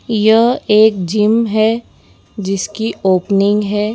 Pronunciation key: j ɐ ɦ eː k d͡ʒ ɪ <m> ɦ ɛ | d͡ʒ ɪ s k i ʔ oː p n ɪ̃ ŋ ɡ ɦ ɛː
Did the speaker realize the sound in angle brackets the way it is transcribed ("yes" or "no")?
yes